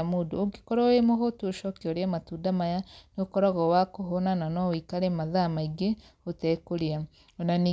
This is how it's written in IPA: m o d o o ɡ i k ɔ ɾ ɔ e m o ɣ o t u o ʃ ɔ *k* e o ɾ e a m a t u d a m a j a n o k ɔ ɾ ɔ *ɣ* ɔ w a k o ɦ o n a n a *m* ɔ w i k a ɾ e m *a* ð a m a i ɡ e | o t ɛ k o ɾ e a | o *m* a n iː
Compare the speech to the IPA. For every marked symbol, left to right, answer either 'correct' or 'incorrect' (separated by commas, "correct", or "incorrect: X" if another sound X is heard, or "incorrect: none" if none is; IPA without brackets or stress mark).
correct, correct, incorrect: n, correct, incorrect: n